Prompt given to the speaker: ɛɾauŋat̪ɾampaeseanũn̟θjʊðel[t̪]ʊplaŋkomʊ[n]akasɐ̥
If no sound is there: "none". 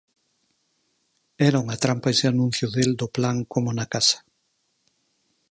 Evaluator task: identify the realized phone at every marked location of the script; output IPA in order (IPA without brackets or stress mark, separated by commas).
d̪, n